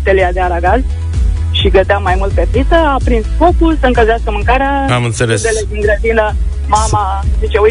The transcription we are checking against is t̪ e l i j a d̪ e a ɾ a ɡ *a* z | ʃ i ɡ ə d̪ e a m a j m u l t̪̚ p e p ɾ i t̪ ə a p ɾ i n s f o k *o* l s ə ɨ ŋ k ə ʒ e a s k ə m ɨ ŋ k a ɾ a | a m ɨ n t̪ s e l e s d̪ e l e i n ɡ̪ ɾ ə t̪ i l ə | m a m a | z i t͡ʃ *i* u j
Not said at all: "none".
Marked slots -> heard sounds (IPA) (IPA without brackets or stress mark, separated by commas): a, u, e